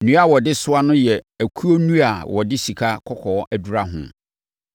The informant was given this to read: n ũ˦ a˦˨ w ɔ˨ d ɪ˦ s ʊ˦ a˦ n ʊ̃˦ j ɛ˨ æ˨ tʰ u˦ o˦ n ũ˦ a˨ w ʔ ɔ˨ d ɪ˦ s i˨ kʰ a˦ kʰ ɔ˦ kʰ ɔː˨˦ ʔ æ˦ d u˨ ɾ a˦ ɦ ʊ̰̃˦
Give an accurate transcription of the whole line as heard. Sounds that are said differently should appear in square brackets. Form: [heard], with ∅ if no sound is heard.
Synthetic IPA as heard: n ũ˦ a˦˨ w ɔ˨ d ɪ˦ s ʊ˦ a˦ n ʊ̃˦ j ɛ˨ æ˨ [kʰ] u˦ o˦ n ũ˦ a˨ w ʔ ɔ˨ d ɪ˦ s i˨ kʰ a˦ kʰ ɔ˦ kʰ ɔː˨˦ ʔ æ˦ d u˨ ɾ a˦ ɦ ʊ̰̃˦